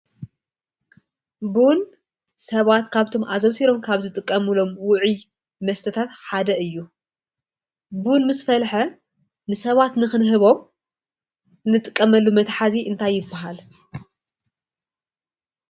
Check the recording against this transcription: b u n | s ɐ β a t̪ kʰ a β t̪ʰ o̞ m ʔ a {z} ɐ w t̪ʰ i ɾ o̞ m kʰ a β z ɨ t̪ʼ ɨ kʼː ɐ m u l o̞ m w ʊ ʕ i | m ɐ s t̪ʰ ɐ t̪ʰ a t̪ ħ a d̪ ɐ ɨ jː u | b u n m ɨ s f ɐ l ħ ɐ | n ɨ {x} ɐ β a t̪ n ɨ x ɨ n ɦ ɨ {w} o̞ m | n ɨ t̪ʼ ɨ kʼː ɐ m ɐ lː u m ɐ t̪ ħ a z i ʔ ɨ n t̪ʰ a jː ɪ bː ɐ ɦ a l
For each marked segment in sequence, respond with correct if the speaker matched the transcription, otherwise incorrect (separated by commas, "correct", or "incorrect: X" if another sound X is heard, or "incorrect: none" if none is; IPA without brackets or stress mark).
correct, incorrect: s, incorrect: β